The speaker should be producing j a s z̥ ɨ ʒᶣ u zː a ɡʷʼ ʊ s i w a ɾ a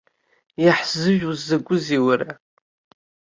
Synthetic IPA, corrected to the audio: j a ħ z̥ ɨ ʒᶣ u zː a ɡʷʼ ʊ z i w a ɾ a